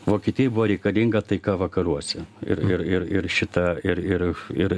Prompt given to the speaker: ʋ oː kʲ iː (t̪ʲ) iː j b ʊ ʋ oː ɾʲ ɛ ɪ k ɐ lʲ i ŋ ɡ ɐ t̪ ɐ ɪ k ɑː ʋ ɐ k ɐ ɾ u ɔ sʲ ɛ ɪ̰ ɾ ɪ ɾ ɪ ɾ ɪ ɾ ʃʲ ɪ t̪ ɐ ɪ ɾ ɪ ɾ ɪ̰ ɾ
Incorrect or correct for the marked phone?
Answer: correct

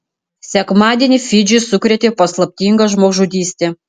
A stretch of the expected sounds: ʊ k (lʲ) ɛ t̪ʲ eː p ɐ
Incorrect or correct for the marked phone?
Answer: incorrect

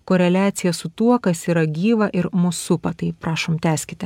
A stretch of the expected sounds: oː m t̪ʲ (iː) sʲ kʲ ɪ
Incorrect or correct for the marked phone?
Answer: incorrect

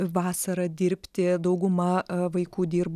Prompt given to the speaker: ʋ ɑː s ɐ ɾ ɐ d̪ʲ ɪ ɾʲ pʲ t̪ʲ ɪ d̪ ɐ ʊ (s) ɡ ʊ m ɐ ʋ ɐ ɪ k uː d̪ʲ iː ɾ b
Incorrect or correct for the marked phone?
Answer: incorrect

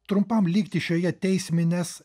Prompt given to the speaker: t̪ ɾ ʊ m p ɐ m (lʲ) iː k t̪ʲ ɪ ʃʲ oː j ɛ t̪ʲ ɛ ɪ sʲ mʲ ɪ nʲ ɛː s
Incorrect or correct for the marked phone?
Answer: correct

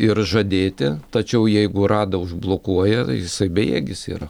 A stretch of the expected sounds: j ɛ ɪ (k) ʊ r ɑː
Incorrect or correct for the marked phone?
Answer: incorrect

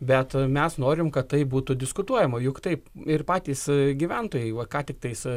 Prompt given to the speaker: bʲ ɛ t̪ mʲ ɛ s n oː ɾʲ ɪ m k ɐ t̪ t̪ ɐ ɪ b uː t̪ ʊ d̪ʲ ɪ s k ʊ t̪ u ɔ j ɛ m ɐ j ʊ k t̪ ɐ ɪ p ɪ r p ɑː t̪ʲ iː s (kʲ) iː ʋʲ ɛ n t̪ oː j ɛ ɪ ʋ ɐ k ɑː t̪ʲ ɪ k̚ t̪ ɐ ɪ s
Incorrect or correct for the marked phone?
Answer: incorrect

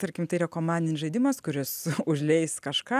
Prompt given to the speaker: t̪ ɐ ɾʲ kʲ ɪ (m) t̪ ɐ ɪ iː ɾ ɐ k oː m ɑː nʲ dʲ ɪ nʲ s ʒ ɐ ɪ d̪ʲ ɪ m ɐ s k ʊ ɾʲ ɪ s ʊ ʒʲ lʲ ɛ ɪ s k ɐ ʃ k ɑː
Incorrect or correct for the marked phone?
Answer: correct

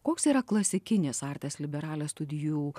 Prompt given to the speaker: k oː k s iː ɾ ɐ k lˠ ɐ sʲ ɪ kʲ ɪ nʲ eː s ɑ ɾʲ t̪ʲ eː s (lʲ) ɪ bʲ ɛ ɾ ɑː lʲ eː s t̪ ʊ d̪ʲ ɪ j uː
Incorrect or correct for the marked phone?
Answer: correct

